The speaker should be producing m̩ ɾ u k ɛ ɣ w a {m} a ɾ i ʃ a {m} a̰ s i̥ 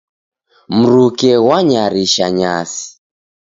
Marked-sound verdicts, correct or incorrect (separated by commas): incorrect, incorrect